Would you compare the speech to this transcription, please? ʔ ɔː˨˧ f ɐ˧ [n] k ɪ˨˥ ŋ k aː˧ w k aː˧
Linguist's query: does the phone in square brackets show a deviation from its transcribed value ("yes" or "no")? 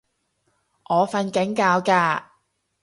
no